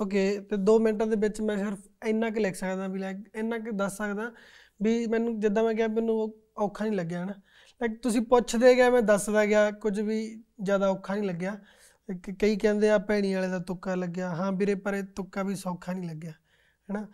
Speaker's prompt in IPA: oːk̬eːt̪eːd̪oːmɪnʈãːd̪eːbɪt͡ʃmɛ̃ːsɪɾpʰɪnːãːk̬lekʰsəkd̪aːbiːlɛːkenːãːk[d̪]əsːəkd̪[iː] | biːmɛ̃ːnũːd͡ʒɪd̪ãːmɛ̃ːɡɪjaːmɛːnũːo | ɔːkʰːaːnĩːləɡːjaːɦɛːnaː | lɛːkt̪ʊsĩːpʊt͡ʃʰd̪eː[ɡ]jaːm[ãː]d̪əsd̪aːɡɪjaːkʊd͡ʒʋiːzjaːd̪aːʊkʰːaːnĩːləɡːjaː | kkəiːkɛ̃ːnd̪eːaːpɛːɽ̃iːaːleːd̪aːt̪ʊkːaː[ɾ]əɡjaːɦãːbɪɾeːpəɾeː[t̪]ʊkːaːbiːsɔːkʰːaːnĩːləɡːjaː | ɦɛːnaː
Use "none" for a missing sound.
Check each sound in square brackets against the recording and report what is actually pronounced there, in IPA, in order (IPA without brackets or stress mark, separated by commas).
d̪, aː, ɡ, ɛ̃ː, l, t̪